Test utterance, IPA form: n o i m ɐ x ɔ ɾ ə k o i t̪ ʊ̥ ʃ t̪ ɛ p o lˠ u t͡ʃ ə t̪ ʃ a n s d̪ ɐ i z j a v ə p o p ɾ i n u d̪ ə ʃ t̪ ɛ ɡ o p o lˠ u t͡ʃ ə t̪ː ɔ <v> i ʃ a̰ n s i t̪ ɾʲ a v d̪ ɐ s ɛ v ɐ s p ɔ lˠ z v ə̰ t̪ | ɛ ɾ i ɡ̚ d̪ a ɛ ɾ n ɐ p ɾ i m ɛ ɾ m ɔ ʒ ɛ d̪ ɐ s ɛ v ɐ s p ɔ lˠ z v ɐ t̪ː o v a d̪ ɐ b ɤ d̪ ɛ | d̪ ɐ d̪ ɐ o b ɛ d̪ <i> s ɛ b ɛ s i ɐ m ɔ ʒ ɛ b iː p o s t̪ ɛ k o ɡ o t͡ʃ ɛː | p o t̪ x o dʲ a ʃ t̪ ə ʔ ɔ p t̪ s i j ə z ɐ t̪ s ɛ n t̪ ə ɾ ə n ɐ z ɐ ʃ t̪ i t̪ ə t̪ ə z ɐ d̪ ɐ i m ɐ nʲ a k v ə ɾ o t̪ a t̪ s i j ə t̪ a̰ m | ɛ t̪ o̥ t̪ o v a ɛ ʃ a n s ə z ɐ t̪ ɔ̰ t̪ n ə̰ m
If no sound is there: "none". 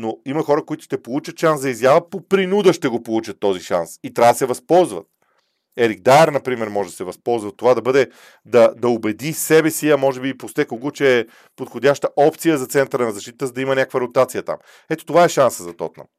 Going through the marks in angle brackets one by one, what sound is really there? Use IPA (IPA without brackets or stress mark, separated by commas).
z, i